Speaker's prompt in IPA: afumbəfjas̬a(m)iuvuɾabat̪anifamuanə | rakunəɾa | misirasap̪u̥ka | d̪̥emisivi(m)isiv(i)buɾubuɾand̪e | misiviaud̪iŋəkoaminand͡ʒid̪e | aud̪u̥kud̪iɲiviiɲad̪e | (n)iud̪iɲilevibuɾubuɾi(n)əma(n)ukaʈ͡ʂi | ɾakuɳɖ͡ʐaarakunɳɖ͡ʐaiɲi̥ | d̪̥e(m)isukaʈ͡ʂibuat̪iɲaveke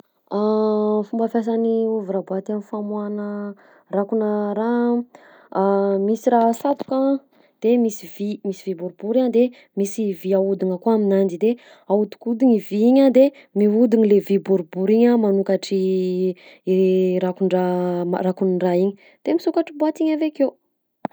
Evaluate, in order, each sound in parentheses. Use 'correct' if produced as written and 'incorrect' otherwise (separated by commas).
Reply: incorrect, correct, correct, incorrect, incorrect, correct, correct